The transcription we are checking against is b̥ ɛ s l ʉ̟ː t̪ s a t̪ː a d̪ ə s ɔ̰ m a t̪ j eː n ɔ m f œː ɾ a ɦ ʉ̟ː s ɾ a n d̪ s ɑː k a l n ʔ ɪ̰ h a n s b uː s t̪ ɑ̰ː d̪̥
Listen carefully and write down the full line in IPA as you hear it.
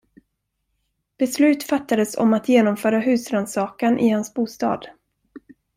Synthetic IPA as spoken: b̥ ɛ s l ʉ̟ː t̪ f a t̪ː a d̪ ə s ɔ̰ m a t̪ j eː n ɔ m f œː ɾ a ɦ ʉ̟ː s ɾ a n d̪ s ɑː k a n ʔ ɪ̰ h a n s b uː s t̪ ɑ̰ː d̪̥